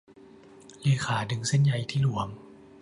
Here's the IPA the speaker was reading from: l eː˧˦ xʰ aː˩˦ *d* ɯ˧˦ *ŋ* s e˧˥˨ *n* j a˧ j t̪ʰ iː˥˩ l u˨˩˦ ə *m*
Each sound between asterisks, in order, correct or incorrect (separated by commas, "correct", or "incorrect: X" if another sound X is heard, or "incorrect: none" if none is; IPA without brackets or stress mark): correct, correct, correct, correct